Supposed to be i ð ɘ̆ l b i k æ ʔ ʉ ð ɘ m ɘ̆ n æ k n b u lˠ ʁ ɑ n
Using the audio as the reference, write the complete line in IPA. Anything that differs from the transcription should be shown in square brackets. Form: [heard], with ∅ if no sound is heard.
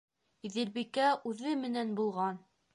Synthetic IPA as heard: i ð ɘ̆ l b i k æ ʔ ʉ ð ɘ m ɘ̆ n æ [∅] n b u lˠ ʁ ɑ n

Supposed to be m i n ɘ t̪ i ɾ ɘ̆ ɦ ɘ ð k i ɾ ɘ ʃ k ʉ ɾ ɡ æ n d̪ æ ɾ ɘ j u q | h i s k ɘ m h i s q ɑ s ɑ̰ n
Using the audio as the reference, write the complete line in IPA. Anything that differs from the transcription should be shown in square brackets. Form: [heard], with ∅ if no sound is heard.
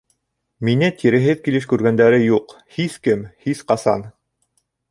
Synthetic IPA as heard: m i n ɘ t̪ i ɾ ɘ̆ ɦ ɘ ð k i [l] ɘ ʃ k ʉ ɾ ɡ æ n d̪ æ ɾ ɘ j u q | h i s k ɘ m h i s q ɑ s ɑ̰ n

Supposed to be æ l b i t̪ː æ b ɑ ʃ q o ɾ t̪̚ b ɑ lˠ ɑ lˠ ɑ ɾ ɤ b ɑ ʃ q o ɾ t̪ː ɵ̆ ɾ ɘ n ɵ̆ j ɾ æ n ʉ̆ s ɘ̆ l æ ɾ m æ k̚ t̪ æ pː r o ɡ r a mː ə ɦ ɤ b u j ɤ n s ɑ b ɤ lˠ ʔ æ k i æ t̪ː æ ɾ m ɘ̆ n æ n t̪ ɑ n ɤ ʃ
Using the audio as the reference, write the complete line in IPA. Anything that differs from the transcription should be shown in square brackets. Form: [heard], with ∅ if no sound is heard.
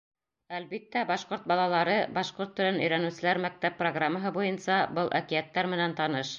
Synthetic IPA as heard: æ l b i t̪ː æ b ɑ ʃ q o ɾ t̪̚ b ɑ lˠ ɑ lˠ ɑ ɾ ɤ b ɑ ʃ q o ɾ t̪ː ɵ̆ ɾ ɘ n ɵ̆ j ɾ æ n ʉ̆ s ɘ̆ l æ ɾ m æ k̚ t̪ æ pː r o ɡ r a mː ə ɦ ɤ b u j ɤ n s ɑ b ɤ lˠ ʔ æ k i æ t̪ː æ ɾ m ɘ̆ n æ n t̪ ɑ n ɤ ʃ

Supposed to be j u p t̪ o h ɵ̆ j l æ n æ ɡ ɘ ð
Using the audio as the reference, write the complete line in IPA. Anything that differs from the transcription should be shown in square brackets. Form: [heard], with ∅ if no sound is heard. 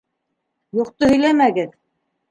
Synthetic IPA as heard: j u [q] t̪ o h ɵ̆ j l æ [m] æ ɡ ɘ ð

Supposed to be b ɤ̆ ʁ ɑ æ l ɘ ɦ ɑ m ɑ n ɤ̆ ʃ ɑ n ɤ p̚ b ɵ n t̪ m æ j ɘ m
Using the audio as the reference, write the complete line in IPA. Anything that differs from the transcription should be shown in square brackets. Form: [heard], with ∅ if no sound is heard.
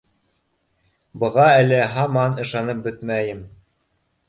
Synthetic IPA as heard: b ɤ̆ ʁ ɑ æ l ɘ ɦ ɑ m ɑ n ɤ̆ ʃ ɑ n ɤ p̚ b ɵ [∅] t̪ m æ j ɘ m

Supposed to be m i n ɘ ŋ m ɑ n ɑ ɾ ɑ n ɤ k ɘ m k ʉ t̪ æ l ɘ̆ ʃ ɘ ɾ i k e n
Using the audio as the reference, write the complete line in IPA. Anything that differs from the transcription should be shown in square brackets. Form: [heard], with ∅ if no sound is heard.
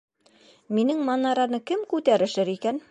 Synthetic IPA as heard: m i n ɘ ŋ m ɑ n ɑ ɾ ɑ n ɤ k ɘ m k ʉ t̪ æ [ɾ] ɘ̆ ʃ ɘ ɾ i k [æ] n

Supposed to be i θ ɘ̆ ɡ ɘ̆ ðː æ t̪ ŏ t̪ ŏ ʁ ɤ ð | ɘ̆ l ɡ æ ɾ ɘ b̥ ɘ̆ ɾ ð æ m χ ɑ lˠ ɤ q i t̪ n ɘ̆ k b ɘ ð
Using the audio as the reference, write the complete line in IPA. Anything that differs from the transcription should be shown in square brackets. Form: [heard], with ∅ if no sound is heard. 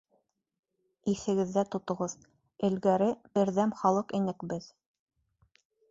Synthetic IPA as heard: i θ ɘ̆ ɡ ɘ̆ ðː æ t̪ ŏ t̪ ŏ ʁ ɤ ð | ɘ̆ l ɡ æ ɾ ɘ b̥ ɘ̆ ɾ ð æ m χ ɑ lˠ ɤ q i [∅] n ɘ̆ k b ɘ ð

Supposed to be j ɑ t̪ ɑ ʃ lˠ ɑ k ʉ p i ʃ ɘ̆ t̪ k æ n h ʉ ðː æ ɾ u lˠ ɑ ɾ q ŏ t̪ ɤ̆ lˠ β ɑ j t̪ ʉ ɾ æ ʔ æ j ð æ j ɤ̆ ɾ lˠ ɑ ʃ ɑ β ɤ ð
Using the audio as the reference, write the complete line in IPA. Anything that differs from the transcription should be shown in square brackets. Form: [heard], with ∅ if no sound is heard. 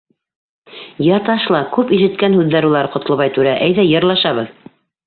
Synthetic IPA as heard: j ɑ t̪ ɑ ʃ lˠ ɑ k ʉ p i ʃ ɘ̆ t̪ k æ n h ʉ ðː æ ɾ u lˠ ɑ ɾ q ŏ t̪ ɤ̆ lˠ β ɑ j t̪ ʉ ɾ æ ʔ æ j ð æ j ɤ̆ ɾ lˠ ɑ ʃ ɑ β ɤ ð

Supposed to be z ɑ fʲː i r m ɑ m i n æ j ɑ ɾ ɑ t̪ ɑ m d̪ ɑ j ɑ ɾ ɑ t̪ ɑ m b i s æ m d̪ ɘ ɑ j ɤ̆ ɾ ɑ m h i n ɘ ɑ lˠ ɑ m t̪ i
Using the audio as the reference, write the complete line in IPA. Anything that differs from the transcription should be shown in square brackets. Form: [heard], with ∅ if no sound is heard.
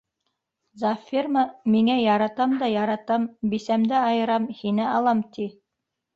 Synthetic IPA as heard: z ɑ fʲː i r m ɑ m i [ŋ] æ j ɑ ɾ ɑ t̪ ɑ m d̪ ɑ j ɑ ɾ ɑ t̪ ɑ m b i s æ m d̪ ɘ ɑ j ɤ̆ ɾ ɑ m h i n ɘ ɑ lˠ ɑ m t̪ i

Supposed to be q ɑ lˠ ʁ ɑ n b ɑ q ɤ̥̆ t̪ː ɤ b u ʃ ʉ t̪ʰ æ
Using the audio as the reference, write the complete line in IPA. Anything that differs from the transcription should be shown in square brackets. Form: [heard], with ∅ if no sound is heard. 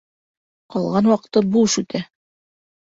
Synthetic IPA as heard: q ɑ lˠ ʁ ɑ n [w] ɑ q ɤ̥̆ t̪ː ɤ b u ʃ ʉ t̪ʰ æ

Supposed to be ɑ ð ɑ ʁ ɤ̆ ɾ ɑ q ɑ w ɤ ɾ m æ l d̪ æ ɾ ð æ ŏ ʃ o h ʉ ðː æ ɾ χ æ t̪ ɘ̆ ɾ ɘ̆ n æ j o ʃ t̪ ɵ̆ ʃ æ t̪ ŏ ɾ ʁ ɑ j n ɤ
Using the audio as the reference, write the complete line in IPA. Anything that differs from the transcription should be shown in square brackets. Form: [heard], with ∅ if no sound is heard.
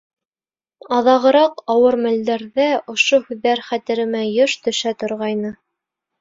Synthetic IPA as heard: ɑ ð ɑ ʁ ɤ̆ ɾ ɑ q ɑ w ɤ ɾ m æ l d̪ æ ɾ ð æ ŏ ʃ o h ʉ ðː æ ɾ χ æ t̪ ɘ̆ ɾ ɘ̆ [m] æ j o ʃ t̪ ɵ̆ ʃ æ t̪ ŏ ɾ ʁ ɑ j n ɤ

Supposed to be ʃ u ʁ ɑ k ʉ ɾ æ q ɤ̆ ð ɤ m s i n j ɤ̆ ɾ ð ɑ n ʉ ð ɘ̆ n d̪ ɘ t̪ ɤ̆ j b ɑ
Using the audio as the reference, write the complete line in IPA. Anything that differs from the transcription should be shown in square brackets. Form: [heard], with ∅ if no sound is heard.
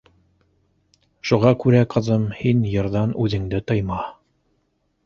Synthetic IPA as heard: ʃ u ʁ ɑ k ʉ ɾ æ q ɤ̆ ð ɤ m [h] i n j ɤ̆ ɾ ð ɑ n ʉ ð ɘ̆ [ŋ] d̪ ɘ t̪ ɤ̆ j [m] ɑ

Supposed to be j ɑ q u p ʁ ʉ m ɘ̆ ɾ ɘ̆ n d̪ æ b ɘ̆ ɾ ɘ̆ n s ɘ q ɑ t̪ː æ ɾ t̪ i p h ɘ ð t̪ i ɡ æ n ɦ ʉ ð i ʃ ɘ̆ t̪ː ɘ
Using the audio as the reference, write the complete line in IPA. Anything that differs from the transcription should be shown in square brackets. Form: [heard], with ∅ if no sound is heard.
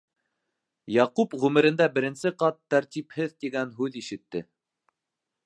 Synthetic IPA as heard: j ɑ q u p ʁ ʉ m ɘ̆ ɾ ɘ̆ n d̪ æ b ɘ̆ ɾ ɘ̆ n s ɘ q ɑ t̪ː æ ɾ t̪ i p h ɘ ð t̪ i ɡ æ n ɦ ʉ ð i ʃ ɘ̆ t̪ː ɘ

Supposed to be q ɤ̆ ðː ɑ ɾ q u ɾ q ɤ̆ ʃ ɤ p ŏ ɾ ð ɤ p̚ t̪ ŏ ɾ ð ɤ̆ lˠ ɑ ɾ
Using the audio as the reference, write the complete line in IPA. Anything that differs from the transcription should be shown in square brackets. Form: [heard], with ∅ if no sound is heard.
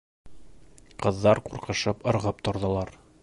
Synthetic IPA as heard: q ɤ̆ ðː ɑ ɾ q u ɾ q ɤ̆ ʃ ɤ p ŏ ɾ [ʁ] ɤ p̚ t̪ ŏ ɾ ð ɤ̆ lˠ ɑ ɾ

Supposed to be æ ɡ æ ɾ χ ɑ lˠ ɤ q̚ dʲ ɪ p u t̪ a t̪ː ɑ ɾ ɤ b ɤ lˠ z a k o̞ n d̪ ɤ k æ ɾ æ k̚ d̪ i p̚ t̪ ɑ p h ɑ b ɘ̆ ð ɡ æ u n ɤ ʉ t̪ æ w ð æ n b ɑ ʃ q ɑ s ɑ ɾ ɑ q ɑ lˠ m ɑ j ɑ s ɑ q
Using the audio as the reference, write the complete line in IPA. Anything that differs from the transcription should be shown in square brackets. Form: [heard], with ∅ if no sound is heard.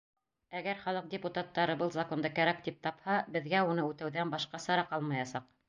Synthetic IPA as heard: æ ɡ æ ɾ χ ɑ lˠ ɤ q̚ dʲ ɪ p u t̪ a t̪ː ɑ ɾ ɤ b ɤ lˠ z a k o̞ n d̪ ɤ k æ ɾ æ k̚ [t̪] i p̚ t̪ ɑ p h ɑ b ɘ̆ ð ɡ æ u n ɤ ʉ t̪ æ w ð æ n b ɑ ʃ q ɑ s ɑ ɾ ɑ q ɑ lˠ m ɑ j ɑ s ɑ q

